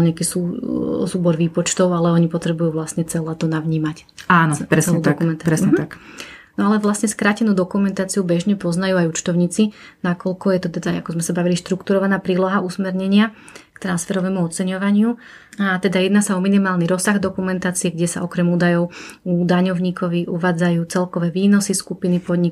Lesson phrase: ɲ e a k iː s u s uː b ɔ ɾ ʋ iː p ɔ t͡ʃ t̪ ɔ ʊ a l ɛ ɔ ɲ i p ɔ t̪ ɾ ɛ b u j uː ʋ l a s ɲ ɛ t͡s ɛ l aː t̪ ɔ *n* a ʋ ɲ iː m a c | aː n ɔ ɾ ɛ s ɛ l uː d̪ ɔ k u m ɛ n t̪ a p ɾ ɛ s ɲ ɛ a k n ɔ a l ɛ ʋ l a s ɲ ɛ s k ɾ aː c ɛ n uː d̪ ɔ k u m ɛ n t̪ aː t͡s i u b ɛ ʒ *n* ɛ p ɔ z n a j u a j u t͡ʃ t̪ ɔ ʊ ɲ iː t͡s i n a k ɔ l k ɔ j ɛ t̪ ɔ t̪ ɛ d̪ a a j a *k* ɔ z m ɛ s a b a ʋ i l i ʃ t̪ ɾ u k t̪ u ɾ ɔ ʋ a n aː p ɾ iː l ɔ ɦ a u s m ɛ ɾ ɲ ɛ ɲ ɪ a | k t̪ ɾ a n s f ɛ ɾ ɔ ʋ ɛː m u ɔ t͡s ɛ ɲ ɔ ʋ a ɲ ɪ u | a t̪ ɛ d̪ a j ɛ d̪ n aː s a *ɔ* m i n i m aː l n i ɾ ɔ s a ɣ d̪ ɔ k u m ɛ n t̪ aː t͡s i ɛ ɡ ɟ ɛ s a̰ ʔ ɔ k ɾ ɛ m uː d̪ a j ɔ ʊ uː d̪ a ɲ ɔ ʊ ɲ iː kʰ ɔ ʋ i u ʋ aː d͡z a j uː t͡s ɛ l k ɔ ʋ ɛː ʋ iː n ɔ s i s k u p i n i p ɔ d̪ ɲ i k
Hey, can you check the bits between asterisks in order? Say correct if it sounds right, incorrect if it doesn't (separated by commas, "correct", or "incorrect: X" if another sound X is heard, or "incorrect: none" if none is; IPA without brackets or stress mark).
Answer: correct, incorrect: ɲ, correct, correct